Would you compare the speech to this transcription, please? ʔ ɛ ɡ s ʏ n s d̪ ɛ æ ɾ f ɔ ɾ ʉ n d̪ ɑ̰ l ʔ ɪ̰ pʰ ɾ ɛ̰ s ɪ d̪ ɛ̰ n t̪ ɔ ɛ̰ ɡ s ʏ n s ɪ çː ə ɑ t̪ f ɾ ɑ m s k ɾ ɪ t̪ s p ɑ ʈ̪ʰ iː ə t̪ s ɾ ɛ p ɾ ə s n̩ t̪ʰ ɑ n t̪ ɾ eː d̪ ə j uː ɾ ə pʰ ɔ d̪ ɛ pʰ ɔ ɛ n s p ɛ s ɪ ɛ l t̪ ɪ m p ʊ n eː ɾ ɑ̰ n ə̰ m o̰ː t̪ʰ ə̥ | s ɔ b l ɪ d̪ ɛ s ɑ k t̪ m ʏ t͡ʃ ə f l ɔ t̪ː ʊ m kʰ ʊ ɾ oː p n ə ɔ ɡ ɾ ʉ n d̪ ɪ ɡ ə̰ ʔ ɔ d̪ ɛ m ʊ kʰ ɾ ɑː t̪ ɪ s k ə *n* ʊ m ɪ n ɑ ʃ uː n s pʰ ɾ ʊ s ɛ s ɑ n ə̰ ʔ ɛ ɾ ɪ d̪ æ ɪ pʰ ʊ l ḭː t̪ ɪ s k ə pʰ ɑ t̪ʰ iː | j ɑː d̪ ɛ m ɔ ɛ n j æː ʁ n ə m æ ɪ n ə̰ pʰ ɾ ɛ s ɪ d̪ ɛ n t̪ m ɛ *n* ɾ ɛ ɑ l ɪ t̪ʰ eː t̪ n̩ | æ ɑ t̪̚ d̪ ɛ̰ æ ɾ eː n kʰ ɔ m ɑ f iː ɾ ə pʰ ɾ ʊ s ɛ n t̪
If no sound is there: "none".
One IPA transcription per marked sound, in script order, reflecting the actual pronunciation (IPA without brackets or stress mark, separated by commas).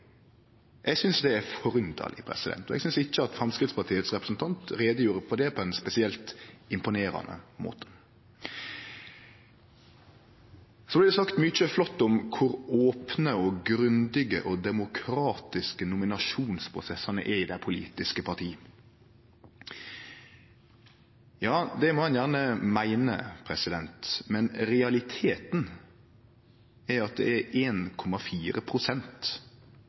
n, n